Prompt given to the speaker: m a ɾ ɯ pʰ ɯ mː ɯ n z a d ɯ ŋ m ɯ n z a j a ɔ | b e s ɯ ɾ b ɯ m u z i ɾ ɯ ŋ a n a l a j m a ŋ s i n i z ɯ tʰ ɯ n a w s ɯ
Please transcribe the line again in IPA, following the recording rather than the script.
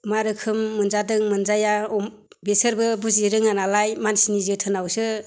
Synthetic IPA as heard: m a ɾ ɯ kʰ ɯ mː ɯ n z a d ɯ ŋ m ɯ n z a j a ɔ | b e s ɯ ɾ b ɯ b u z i ɾ ɯ ŋ a n a l a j m a n s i n i z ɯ tʰ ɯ n a w s ɯ

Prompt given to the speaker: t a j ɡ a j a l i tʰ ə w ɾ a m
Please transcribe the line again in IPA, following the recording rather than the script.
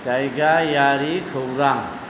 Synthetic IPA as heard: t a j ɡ a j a ɾ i kʰ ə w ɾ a ŋ

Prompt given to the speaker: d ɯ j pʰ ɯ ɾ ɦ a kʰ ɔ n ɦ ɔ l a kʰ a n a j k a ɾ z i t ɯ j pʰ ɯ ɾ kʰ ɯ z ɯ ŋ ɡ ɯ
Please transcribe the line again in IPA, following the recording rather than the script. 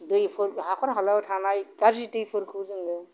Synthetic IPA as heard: d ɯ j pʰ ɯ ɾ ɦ a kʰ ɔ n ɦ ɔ l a tʰ a n a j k a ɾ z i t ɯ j pʰ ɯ ɾ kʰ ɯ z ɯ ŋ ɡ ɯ

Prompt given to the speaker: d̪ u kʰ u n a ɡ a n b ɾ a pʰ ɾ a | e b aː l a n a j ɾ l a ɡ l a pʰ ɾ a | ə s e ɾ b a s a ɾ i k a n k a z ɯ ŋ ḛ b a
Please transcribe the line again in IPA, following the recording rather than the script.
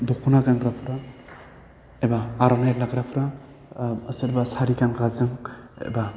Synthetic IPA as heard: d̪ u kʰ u n a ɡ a n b ɾ a pʰ ɾ a | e b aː ɾ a n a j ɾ l a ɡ ɾ a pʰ ɾ a | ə s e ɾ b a s a ɾ i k a n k a z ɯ ŋ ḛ b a

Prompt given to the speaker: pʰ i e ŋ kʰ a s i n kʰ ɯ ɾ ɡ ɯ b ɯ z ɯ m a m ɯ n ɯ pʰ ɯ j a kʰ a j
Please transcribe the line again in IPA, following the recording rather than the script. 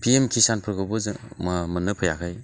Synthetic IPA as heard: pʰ i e m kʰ i s a n pʰ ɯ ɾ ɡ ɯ b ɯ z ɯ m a m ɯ n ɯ pʰ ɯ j a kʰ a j

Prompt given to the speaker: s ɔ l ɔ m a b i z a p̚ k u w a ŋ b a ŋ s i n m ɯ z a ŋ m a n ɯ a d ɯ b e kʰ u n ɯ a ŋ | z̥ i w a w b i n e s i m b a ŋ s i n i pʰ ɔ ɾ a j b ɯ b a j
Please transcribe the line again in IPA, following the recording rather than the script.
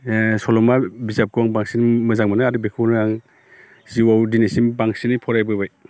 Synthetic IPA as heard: s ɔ l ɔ m a b i z a p̚ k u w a ŋ b a ŋ s i n m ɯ z a ŋ m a n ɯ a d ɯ b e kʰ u n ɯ a ŋ | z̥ i w a w d i n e s i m b a ŋ s i n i pʰ ɔ ɾ a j b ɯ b a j

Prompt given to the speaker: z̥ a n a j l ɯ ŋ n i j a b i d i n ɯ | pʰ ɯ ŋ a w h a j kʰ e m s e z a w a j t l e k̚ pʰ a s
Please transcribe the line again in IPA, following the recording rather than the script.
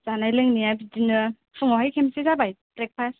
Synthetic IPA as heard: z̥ a n a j l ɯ ŋ n i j a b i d i n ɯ | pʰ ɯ ŋ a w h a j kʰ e m s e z a b a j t ɾ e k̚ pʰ a s

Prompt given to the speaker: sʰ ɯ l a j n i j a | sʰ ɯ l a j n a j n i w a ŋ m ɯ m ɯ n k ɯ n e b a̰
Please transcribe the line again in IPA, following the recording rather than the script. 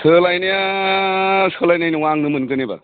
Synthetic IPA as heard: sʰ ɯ l a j n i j a | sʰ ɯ l a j n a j n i w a ŋ n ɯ m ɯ n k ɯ n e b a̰

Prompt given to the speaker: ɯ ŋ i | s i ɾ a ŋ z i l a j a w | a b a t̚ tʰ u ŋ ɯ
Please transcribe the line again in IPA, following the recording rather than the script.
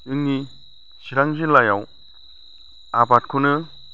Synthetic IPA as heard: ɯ ŋ i | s i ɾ a ŋ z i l a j a w | a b a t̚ kʰ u n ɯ

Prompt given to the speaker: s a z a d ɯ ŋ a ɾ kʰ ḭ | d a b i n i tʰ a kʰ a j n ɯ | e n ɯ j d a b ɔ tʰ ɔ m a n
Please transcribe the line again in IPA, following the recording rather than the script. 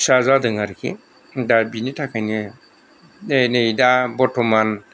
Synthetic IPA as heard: s a z a d ɯ ŋ a ɾ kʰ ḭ | d a b i n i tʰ a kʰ a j n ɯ | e n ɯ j d a b ɔ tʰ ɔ m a n

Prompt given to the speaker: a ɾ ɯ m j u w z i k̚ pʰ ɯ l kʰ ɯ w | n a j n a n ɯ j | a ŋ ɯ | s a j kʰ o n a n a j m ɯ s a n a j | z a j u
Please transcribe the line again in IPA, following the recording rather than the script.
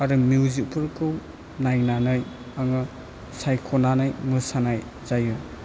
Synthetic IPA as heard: a ɾ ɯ m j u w z i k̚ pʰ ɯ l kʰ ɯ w | n a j n a n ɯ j | a ŋ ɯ | s a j kʰ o n a n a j m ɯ s a n a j | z a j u

